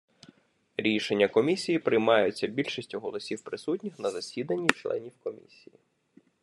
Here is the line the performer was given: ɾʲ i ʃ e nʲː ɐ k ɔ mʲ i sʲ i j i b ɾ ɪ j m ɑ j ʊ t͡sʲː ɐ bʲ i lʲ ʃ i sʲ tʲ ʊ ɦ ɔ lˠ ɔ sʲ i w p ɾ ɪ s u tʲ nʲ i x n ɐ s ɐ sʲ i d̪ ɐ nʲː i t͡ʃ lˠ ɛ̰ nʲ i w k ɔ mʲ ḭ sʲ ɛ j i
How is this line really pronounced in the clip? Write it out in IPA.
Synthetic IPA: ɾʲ i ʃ e nʲː ɐ k ɔ mʲ i sʲ i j i p ɾ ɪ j m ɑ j ʊ t͡sʲː ɐ bʲ i lʲ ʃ i sʲ tʲ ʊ ɦ ɔ lˠ ɔ sʲ i w p ɾ ɪ s u tʲ nʲ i x n ɐ z ɐ sʲ i d̪ ɐ nʲː i t͡ʃ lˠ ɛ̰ nʲ i w k ɔ mʲ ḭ sʲ i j i

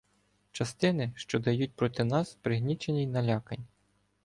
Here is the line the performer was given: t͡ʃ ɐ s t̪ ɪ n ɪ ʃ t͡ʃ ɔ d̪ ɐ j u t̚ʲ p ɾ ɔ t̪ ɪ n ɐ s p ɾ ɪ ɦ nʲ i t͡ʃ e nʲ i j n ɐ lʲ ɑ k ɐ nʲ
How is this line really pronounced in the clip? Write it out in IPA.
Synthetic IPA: t͡ʃ ɐ s t̪ ɪ n ɪ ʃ t͡ʃ ɔ d̪ ɐ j u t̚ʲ p ɾ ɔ t̪ ɪ n ɑ s p ɾ ɪ ɦ nʲ i t͡ʃ e nʲ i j n ɐ lʲ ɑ k ɐ nʲ

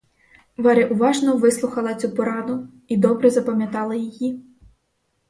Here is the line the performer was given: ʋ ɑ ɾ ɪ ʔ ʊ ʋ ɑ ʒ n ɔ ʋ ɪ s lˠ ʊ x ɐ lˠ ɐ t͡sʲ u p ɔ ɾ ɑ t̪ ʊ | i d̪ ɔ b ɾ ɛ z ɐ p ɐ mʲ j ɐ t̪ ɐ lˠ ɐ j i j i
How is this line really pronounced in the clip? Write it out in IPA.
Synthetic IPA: ʋ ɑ ɾ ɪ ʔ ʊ ʋ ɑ ʒ n ɔ ʋ ɪ s lˠ ʊ x ɐ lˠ ɐ t͡sʲ u p ɔ ɾ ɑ d̪ ʊ | i d̪ ɔ b ɾ ɛ z ɐ p ɐ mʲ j ɐ t̪ ɑ lˠ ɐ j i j i

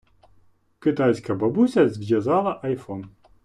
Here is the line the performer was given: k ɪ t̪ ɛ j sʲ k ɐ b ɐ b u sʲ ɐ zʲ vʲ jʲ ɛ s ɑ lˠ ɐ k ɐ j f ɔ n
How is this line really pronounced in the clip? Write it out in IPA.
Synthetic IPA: k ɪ t̪ a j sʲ k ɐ b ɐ b u sʲ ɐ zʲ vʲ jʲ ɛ z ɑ lˠ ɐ ʔ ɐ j f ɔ n

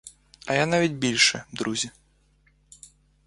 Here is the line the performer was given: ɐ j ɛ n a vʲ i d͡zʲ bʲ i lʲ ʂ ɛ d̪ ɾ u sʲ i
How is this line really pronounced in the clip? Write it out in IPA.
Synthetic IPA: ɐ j a n a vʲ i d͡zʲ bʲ i lʲ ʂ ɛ d̪ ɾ u zʲ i

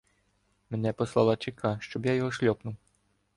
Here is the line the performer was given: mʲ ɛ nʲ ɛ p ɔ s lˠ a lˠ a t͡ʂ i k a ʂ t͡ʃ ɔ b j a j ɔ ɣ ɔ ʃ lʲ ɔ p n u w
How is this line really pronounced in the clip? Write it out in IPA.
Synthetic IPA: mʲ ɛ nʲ ɛ p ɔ s lˠ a lˠ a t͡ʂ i k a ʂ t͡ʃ ɔ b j a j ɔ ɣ ɔ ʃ lʲ ɔ p n u w

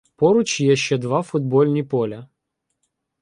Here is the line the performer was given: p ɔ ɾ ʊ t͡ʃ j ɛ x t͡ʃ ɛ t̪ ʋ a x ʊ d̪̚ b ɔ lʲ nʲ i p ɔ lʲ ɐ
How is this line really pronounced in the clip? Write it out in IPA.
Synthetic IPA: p ɔ ɾ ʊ t͡ʃ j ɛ ʃ t͡ʃ ɛ d̪ ʋ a f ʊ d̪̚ b ɔ lʲ nʲ i p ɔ lʲ ɐ

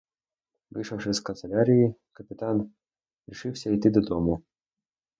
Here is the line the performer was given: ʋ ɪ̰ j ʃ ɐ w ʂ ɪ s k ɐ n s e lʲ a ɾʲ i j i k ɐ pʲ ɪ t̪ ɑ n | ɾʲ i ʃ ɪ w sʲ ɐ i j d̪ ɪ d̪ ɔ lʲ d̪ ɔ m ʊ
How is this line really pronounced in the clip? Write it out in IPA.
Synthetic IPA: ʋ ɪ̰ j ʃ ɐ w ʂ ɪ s k ɐ n s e lʲ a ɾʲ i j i k ɐ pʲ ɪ t̪ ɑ n | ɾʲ i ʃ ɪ w sʲ ɐ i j t̪ ɪ d̪ ɔ d̪ ɔ m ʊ

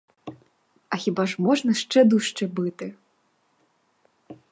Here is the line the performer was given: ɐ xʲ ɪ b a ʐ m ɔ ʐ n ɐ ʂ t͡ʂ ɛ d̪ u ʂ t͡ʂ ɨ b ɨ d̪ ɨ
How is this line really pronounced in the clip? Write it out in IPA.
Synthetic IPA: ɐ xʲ i b a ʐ m ɔ ʐ n ɐ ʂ t͡ʂ ɛ d̪ u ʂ t͡ʂ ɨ b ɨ t̪ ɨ

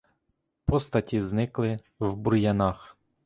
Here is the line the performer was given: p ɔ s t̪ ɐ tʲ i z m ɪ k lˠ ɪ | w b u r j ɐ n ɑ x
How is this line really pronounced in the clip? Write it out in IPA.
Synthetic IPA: p ɔ s t̪ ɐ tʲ i z n ɪ k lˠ ɪ | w b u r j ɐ n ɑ x

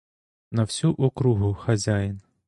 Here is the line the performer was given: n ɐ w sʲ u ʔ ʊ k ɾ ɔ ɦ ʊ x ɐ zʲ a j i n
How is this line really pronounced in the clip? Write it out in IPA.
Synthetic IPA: n ɐ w sʲ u ʔ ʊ k ɾ u ɦ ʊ x ɐ zʲ a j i n

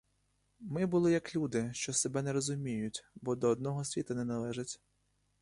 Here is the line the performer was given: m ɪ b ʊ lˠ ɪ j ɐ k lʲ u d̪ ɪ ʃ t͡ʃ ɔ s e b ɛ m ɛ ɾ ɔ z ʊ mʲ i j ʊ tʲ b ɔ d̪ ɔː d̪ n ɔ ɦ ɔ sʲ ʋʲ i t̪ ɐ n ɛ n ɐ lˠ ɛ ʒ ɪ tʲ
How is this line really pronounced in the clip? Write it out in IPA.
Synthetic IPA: m ɪ b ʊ lˠ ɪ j ɐ k lʲ u d̪ ɪ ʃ t͡ʃ ɔ s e b ɛ n ɛ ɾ ɔ z ʊ mʲ i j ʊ tʲ b ɔ d̪ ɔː d̪ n ɔ ɦ ɔ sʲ ʋʲ i t̪ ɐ n ɛ n ɐ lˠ ɛ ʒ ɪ tʲ

